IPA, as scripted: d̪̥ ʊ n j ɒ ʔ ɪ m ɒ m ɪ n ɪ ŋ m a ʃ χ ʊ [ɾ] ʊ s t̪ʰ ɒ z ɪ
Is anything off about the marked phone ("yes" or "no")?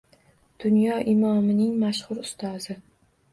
no